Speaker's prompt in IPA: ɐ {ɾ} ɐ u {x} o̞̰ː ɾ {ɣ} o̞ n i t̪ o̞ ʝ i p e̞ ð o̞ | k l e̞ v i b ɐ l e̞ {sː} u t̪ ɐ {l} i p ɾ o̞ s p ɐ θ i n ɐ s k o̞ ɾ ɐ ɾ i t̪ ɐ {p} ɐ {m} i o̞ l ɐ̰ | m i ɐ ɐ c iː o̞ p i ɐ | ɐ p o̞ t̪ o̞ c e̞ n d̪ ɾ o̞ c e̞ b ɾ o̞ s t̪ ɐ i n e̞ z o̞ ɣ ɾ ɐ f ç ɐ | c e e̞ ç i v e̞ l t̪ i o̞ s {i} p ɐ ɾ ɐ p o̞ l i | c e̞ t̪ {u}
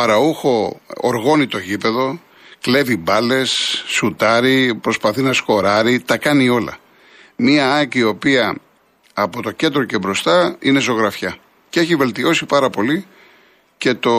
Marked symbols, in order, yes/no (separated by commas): yes, yes, yes, yes, no, no, no, yes, no